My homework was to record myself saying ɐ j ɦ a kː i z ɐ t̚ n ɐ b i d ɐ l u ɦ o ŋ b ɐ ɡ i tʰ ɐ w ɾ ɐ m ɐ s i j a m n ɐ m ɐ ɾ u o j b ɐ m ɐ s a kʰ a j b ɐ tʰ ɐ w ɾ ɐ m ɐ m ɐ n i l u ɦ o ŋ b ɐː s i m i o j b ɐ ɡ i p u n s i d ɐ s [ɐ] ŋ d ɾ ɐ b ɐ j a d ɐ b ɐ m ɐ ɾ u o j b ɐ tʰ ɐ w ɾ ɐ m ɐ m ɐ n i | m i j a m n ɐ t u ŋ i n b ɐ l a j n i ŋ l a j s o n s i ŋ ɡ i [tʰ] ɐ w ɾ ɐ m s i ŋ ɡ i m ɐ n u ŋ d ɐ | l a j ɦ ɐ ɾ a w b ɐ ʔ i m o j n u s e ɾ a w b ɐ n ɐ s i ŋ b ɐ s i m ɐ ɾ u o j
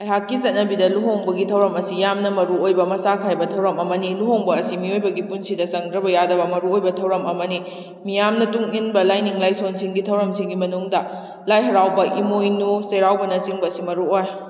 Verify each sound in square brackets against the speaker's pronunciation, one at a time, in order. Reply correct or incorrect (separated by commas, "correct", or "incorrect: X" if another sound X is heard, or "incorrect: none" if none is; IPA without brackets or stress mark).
correct, correct